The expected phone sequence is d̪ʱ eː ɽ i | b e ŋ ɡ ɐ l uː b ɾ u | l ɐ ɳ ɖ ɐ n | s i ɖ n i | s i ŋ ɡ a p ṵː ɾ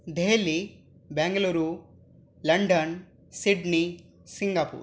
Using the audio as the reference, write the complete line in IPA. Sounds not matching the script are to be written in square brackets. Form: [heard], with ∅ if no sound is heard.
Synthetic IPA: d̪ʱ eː [l] i | b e ŋ ɡ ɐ l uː [∅] ɾ u | l ɐ ɳ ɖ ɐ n | s i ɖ n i | s i ŋ ɡ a p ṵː ɾ